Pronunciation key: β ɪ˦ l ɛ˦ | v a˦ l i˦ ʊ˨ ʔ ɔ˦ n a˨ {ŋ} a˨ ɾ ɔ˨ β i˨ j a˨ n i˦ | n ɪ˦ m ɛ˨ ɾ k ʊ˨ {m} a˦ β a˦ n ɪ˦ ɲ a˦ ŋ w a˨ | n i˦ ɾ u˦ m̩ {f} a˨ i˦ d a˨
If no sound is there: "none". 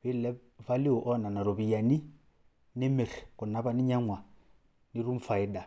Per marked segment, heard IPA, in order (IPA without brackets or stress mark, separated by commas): n, n, f